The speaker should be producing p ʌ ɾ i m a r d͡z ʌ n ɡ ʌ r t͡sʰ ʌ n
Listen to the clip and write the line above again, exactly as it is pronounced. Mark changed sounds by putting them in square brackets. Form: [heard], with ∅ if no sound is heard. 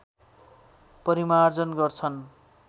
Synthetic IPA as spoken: p ʌ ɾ i m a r d͡z ʌ n ɡ ʌ r t͡sʰ ʌ n